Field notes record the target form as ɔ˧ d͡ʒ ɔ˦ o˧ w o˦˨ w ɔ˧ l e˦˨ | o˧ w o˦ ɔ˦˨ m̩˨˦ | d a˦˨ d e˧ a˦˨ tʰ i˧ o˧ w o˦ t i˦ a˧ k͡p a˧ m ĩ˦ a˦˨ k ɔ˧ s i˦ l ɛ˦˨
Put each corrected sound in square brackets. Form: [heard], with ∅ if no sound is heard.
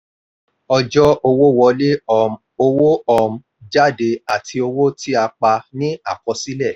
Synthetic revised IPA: ɔ˧ d͡ʒ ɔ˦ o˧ w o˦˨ w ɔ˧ l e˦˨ | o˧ w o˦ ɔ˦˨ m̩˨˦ | [d͡ʒ] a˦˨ d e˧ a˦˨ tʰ i˧ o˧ w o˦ t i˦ a˧ k͡p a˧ [n] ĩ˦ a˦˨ k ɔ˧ s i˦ l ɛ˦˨